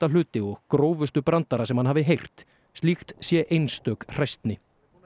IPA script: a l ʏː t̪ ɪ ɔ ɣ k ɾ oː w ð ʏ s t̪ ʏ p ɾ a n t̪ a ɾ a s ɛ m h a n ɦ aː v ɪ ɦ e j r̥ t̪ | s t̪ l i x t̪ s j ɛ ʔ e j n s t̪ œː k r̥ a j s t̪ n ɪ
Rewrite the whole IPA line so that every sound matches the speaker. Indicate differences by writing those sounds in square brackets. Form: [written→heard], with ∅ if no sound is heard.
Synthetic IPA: a l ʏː t̪ ɪ ɔ ɣ k ɾ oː w [ð→v] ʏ s t̪ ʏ p ɾ a n t̪ a ɾ a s ɛ m h a n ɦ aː v ɪ ɦ e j r̥ t̪ | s t̪ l i x t̪ s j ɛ ʔ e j n s t̪ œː k r̥ a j s t̪ n ɪ